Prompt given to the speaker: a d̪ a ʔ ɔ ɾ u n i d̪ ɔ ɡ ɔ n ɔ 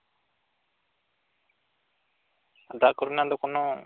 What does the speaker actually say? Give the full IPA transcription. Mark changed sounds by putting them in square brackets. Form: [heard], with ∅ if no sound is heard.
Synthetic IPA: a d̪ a [k] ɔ ɾ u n [a] d̪ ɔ [k] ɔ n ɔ

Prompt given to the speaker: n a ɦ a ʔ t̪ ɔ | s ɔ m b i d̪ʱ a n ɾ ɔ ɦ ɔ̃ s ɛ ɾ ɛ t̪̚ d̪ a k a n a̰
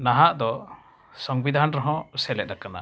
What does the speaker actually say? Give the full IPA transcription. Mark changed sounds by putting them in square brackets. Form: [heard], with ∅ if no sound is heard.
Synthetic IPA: n a ɦ a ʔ [d̪] ɔ | s ɔ [ŋ] b i d̪ʱ a n ɾ ɔ ɦ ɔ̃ s ɛ [l] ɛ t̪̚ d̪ a k a n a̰

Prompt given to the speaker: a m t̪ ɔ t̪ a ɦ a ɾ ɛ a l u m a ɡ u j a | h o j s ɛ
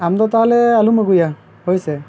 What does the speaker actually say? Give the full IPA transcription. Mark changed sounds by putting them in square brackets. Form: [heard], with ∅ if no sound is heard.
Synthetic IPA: a m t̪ ɔ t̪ a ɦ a [l] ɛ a l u m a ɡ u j a | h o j s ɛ

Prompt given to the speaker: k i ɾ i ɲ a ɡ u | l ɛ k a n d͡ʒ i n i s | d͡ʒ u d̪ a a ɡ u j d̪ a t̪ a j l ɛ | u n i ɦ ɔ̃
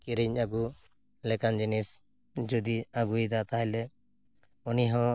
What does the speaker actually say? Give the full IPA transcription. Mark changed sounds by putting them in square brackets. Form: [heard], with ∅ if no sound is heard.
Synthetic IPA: k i ɾ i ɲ a ɡ u | l ɛ k a n d͡ʒ i n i s | d͡ʒ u d̪ [i] a ɡ u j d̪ a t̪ a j l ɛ | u n i ɦ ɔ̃

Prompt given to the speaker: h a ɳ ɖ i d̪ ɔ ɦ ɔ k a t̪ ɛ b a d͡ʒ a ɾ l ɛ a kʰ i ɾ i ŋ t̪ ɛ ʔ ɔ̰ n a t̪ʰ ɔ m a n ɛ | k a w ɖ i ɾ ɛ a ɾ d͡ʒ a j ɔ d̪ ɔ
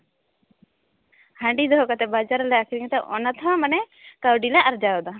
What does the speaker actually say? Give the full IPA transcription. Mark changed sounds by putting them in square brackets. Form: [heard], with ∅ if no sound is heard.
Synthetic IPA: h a ɳ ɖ i d̪ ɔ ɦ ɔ k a t̪ ɛ b a d͡ʒ a ɾ l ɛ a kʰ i ɾ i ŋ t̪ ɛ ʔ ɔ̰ n a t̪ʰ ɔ m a n ɛ | k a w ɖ i [l] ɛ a ɾ d͡ʒ a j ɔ d̪ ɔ

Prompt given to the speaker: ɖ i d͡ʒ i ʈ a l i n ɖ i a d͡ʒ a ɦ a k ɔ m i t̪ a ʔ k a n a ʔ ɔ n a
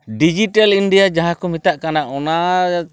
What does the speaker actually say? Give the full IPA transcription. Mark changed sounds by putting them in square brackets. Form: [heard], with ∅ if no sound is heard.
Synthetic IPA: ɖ i d͡ʒ i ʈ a l i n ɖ i a d͡ʒ a ɦ a k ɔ m i t̪ a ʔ k a n a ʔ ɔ n a

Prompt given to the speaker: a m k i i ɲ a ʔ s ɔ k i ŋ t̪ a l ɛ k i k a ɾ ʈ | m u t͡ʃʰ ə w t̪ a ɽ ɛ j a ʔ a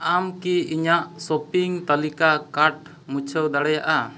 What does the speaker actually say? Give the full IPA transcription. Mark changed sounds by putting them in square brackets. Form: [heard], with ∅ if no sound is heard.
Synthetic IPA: a m k i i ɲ a ʔ s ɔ [p] i ŋ t̪ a l [i] k [a] k a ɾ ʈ | m u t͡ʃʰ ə w [d̪] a ɽ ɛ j a ʔ a

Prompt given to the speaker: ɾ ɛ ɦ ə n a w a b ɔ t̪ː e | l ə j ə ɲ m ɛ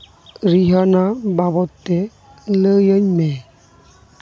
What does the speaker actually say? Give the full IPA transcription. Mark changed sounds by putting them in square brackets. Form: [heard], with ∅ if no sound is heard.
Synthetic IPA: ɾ [i] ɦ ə n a [b] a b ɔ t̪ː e | l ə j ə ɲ m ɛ

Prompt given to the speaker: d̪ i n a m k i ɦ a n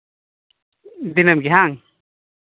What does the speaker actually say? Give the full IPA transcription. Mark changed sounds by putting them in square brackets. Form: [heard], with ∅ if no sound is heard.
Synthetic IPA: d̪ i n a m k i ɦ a [ŋ]

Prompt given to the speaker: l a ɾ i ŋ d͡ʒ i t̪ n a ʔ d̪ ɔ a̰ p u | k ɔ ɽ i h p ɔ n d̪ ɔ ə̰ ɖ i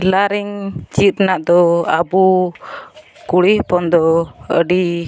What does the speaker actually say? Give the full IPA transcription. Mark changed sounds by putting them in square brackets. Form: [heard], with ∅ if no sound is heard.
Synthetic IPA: l a ɾ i ŋ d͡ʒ i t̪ n a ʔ d̪ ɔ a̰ [b] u | k [u] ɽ i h p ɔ n d̪ ɔ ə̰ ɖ i

